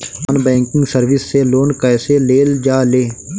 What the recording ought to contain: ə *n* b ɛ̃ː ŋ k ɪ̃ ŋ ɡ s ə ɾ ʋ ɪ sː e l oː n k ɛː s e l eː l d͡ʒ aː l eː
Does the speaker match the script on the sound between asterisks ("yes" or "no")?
yes